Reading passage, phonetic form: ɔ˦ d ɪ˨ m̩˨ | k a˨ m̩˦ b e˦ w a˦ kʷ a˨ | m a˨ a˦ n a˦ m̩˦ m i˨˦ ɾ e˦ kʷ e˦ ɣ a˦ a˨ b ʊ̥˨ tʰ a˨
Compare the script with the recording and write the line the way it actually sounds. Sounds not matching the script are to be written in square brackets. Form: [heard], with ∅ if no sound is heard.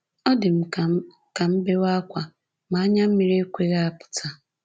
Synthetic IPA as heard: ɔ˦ d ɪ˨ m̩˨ | k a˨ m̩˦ b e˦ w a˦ kʷ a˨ | m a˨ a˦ [ɲ] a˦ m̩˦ m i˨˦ ɾ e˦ kʷ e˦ ɣ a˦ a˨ [p] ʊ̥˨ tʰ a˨